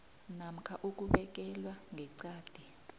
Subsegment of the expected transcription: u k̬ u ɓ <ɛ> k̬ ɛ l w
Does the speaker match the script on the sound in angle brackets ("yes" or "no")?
yes